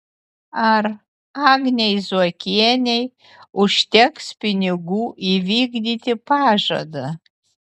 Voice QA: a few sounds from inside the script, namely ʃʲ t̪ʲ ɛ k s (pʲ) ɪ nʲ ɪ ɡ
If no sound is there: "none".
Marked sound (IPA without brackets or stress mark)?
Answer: pʲ